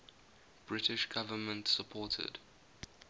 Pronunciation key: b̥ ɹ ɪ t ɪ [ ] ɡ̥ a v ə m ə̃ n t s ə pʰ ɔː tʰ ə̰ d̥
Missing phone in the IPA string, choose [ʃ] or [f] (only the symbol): ʃ